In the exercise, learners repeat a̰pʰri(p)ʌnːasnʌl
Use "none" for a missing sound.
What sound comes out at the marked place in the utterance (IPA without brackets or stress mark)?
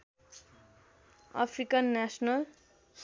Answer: k